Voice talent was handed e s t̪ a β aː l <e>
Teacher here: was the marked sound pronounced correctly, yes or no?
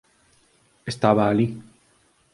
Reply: no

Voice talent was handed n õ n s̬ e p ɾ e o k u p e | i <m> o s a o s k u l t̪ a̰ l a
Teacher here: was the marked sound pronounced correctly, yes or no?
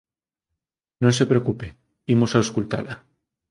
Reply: yes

